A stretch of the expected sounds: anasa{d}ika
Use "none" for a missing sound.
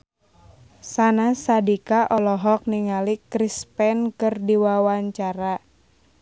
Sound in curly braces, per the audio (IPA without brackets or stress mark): d